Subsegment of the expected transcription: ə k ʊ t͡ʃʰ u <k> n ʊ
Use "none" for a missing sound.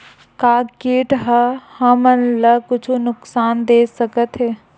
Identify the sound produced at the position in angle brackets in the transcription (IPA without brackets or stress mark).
none